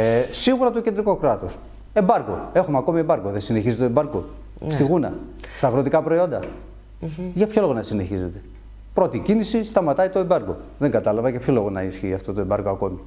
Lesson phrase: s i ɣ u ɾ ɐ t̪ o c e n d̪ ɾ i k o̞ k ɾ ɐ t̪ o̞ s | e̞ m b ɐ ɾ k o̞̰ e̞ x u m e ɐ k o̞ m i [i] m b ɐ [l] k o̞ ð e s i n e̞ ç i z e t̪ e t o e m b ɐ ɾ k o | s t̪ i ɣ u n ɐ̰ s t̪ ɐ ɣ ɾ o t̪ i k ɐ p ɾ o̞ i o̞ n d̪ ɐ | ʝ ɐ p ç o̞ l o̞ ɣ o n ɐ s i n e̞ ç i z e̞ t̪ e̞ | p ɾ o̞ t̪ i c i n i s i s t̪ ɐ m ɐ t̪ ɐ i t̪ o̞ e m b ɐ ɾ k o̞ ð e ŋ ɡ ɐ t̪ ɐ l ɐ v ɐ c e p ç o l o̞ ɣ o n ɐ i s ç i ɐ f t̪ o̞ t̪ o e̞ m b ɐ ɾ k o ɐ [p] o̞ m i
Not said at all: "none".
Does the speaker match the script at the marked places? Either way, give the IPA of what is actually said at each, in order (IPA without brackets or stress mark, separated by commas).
e, ɾ, k